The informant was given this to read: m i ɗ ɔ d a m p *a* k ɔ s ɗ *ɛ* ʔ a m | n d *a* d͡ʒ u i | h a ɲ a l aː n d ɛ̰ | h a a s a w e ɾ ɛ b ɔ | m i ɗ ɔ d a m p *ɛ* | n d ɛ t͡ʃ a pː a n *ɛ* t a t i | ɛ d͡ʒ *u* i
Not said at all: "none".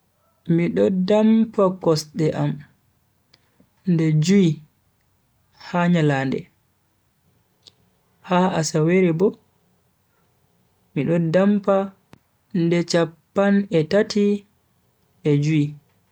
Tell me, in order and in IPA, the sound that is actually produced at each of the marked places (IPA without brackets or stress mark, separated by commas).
a, ɛ, ɛ, a, ɛ, u